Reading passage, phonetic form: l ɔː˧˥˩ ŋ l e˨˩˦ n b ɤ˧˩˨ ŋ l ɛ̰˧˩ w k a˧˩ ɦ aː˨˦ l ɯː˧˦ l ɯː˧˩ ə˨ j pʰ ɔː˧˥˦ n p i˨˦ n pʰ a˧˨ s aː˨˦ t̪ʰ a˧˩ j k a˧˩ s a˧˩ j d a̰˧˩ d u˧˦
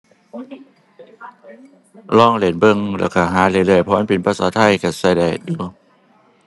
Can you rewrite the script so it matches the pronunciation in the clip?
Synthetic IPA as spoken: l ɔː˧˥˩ ŋ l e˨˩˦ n b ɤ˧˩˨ ŋ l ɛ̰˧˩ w k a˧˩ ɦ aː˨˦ l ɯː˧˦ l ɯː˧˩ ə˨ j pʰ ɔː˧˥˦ n p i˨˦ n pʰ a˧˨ s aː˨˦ t̪ʰ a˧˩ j k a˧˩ s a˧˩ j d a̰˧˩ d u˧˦